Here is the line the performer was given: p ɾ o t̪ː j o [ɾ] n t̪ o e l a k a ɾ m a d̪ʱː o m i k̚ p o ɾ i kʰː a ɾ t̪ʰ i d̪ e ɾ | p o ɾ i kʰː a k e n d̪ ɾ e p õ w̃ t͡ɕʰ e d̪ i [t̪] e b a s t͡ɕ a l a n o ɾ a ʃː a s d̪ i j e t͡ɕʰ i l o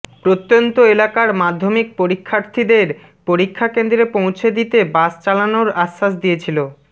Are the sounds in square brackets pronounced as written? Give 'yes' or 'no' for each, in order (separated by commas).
no, yes